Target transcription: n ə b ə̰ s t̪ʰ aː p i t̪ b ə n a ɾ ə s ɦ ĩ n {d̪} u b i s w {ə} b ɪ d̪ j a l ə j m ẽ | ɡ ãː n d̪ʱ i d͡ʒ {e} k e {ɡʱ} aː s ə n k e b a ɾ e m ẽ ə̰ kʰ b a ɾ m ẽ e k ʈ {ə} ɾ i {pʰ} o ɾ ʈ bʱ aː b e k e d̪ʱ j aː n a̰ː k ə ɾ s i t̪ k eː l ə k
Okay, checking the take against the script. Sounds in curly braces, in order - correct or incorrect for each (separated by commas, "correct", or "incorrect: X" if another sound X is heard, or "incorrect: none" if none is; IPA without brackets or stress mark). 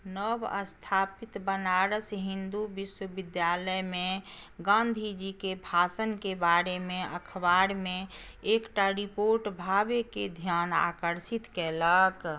correct, correct, incorrect: i, incorrect: bʱ, incorrect: a, incorrect: p